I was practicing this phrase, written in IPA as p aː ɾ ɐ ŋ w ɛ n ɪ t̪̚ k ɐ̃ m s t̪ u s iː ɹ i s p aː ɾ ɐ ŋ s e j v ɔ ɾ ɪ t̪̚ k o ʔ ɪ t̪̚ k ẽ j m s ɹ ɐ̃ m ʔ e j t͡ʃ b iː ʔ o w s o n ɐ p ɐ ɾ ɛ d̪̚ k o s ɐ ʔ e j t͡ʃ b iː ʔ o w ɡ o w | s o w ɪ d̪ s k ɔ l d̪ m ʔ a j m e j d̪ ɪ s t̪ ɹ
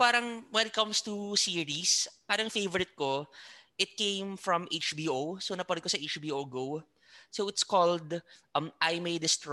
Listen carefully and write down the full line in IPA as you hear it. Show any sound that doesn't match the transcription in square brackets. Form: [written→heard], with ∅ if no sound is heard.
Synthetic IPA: p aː ɾ ɐ ŋ w ɛ n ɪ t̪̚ k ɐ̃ m s t̪ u s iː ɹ i s p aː ɾ ɐ ŋ [s→f] e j v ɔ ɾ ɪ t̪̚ k o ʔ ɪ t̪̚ k ẽ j m [s→f] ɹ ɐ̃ m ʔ e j t͡ʃ b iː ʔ o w s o n ɐ p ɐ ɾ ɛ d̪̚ k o s ɐ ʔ e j t͡ʃ b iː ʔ o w ɡ o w | s o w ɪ [d̪→t̪] s k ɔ l d̪ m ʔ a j m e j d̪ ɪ s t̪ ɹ